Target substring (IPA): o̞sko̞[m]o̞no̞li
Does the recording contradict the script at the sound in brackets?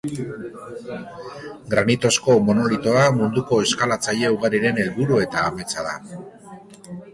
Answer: no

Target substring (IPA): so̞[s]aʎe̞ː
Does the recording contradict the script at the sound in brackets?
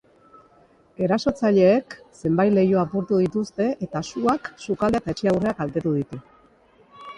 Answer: yes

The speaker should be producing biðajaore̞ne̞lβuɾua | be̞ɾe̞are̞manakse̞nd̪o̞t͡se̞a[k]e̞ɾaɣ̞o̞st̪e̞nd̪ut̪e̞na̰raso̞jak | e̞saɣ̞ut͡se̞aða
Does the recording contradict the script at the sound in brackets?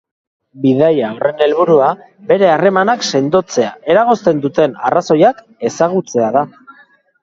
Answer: yes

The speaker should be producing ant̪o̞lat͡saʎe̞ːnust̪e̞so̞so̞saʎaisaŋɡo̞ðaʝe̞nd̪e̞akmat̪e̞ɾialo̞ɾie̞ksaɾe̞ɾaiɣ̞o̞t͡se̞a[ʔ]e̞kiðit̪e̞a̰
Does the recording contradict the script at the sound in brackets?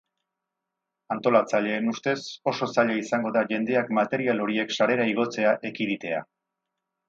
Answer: no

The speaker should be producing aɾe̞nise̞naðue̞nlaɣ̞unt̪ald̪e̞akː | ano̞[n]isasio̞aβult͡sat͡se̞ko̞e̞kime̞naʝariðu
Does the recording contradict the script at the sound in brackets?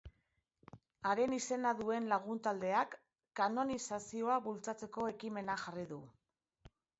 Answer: no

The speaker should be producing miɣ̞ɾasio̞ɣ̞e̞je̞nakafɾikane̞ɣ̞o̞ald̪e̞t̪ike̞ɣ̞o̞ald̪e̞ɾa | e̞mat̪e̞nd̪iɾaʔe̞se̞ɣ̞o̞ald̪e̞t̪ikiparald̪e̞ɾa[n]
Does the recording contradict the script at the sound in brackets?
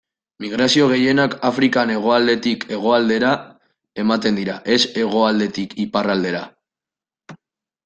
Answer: yes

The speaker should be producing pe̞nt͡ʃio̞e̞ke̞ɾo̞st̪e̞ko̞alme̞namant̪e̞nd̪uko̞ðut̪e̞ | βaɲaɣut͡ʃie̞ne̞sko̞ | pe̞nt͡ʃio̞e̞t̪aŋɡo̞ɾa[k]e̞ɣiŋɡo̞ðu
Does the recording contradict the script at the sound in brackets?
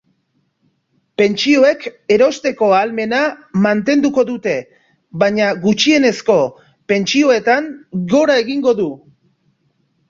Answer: yes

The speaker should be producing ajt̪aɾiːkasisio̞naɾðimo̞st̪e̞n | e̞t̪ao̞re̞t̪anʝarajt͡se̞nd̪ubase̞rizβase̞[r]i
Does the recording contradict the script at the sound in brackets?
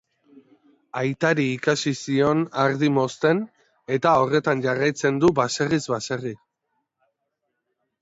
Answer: no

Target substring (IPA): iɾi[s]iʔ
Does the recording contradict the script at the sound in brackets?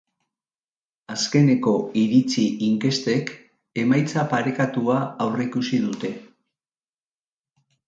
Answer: yes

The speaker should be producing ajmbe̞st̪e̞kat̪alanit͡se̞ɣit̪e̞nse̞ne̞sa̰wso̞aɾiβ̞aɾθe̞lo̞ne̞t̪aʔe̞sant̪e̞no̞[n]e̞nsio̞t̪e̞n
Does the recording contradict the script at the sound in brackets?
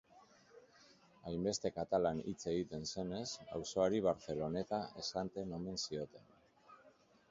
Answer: yes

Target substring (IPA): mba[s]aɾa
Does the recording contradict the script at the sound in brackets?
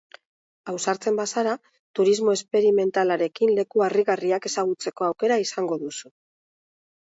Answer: no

